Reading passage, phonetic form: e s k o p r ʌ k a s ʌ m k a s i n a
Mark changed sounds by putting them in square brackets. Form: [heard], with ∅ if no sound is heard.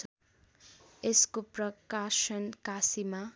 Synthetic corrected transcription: e s k o p r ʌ k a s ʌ [n] k a s i [m] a